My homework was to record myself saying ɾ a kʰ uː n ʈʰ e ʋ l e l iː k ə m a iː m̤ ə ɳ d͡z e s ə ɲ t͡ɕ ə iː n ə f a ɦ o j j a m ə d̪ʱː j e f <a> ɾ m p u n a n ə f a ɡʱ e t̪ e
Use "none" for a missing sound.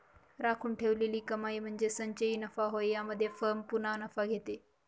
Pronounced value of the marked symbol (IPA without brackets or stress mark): ə